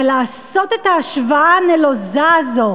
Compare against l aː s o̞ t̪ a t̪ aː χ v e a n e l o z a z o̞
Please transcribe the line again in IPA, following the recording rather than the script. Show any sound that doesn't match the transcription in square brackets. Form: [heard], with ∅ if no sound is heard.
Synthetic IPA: l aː s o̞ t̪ [e] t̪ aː [ʃ] v [a] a n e l o z a z o̞